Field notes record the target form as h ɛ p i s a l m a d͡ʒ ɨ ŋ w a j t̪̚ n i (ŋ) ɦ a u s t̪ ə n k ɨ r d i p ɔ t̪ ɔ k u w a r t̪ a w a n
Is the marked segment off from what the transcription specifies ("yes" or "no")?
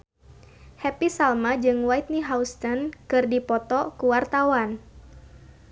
yes